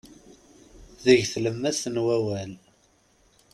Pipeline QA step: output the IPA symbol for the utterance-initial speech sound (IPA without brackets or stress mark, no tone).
ð